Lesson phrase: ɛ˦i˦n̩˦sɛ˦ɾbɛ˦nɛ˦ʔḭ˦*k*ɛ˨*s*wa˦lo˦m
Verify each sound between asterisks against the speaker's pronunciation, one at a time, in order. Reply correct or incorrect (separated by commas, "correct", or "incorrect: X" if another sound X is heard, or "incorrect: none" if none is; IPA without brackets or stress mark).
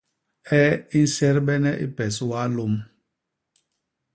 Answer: incorrect: p, correct